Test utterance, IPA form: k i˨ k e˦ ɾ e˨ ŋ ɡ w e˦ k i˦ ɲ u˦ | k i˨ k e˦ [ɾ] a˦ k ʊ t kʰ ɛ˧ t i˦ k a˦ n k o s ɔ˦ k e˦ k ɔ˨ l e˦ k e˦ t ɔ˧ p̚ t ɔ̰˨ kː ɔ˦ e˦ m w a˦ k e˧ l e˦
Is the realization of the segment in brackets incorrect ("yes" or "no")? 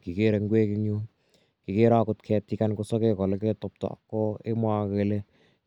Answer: no